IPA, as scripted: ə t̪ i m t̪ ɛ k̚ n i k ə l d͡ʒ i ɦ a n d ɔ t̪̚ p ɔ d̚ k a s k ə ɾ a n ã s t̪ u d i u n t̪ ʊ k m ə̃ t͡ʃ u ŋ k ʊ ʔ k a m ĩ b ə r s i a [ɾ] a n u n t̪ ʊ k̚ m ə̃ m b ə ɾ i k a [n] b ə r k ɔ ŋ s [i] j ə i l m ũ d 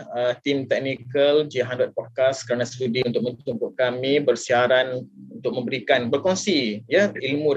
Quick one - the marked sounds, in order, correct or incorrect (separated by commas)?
correct, correct, correct